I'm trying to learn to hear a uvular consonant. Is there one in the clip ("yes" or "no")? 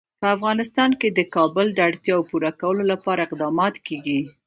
yes